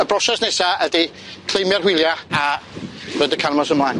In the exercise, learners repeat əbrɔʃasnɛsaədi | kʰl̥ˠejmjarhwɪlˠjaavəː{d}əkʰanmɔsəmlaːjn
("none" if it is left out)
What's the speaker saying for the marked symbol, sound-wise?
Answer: d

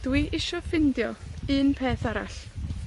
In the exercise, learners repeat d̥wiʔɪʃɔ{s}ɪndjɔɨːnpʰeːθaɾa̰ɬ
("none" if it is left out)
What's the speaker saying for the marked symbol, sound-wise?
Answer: f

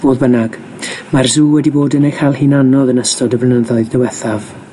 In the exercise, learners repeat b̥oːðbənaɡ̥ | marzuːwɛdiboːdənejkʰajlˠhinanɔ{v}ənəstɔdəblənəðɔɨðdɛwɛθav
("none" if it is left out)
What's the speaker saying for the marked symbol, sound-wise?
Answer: ð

